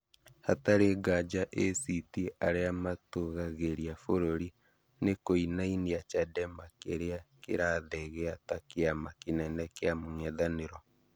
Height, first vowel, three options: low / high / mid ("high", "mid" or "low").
low